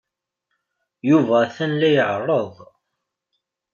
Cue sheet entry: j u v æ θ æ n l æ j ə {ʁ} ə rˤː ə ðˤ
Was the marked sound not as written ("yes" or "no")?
yes